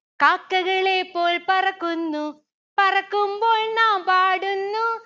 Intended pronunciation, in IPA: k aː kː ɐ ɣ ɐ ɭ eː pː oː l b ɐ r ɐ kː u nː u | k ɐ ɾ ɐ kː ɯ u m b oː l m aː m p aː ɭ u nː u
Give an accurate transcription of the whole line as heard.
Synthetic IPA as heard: k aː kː ɐ ɣ ɐ ɭ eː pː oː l p ɐ r ɐ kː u nː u | p ɐ r ɐ kː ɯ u m b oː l n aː m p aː ɽ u nː u